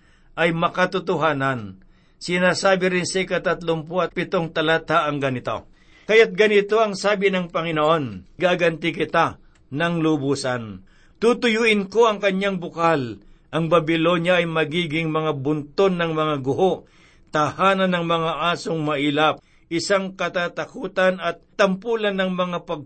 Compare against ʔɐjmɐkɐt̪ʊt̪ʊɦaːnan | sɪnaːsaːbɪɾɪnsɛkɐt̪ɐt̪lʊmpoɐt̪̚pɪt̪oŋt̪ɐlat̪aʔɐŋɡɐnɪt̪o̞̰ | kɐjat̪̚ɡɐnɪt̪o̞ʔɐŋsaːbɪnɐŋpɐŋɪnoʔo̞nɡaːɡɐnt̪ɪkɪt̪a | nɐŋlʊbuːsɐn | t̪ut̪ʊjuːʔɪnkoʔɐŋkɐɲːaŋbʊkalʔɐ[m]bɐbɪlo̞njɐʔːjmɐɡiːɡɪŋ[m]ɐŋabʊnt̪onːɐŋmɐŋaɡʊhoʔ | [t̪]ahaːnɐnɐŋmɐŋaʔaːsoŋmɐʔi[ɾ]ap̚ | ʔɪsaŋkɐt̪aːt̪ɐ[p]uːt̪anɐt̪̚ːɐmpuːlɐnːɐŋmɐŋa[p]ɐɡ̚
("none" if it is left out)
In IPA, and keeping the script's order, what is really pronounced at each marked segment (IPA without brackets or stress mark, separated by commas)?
ŋ, m, t̪, l, k, p